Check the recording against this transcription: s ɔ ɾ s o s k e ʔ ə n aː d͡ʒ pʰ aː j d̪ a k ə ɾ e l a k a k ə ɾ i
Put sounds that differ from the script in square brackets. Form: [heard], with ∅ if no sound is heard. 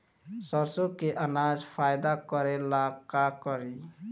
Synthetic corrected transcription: s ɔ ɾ s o [∅] k e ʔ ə n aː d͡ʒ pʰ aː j d̪ a k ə ɾ e l a k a k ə ɾ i